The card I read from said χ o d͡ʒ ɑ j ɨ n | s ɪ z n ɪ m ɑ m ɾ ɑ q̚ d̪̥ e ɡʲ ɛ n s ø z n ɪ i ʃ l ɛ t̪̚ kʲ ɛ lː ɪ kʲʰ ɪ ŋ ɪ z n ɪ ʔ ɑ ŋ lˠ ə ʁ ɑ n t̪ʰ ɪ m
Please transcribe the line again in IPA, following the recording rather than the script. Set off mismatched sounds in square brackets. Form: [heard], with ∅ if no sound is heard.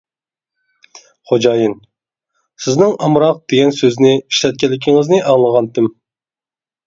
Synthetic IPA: χ o d͡ʒ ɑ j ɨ n | s ɪ z n ɪ [ŋ] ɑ m ɾ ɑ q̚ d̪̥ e ɡʲ ɛ n s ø z n ɪ i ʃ l ɛ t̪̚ kʲ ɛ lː ɪ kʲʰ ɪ ŋ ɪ z n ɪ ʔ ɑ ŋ lˠ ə ʁ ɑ n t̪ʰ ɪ m

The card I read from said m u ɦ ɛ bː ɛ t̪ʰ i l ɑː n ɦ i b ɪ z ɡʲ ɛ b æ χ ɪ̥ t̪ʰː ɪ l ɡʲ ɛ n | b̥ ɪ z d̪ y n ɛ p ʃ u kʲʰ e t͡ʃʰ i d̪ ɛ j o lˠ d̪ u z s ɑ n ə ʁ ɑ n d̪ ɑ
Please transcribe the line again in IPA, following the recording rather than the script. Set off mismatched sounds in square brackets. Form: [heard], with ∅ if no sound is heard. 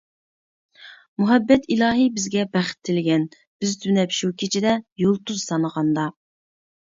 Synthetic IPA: m u ɦ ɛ bː ɛ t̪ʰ i l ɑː [∅] ɦ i b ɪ z ɡʲ ɛ b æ χ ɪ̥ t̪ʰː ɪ l ɡʲ ɛ n | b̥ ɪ z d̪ y n ɛ p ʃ u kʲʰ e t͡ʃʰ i d̪ ɛ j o lˠ [t̪] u z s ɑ n ə ʁ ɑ n d̪ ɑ

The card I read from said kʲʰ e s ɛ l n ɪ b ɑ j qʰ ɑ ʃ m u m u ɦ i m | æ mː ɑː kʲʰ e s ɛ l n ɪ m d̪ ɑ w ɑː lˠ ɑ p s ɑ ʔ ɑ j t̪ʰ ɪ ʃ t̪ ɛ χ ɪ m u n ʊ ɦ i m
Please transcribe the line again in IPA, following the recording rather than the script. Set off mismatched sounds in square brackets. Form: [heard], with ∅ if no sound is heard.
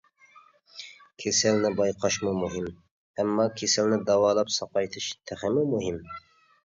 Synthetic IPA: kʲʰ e s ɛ l n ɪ b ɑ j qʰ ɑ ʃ m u m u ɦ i m | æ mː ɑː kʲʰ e s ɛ l n ɪ [∅] d̪ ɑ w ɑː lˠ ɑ p s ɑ [q] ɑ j t̪ʰ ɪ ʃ [t̪ʰ] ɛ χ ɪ m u [m] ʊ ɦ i m

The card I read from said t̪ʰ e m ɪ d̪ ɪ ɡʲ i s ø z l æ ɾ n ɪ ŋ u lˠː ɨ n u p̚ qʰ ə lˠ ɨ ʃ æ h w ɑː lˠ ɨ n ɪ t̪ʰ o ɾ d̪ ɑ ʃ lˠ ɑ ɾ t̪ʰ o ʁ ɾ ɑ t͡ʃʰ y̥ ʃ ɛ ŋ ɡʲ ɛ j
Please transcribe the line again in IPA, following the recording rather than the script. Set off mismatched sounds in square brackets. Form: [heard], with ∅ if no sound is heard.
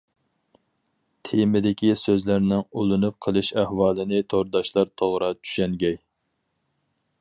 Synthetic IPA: t̪ʰ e m ɪ d̪ ɪ [kʲ] i s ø z l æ ɾ n ɪ ŋ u [lˠ] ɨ n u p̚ qʰ ə lˠ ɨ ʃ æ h w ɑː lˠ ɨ n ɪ t̪ʰ o ɾ d̪ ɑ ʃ lˠ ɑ ɾ t̪ʰ o ʁ ɾ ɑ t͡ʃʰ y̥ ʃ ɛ ŋ ɡʲ ɛ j

